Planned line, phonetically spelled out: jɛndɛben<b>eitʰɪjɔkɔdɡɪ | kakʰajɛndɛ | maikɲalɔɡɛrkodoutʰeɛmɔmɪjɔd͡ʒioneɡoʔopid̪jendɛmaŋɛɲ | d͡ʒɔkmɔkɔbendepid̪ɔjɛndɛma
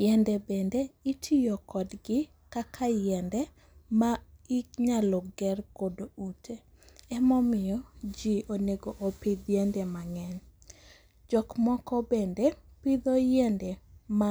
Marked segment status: incorrect: d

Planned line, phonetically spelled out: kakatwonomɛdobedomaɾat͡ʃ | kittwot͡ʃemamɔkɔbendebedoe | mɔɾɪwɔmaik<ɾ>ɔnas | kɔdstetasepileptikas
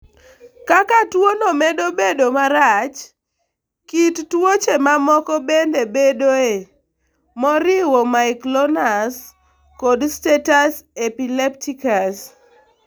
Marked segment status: incorrect: l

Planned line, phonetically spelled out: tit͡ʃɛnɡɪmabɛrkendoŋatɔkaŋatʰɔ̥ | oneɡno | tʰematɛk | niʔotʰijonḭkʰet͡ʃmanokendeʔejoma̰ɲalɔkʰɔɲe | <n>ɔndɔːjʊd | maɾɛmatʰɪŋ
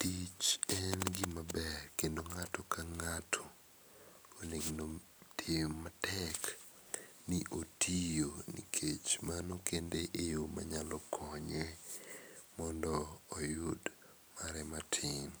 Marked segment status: incorrect: m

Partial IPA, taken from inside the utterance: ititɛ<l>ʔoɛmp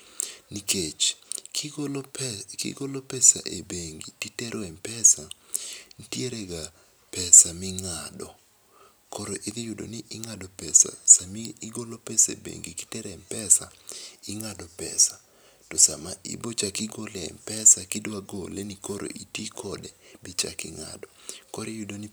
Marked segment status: incorrect: ɾ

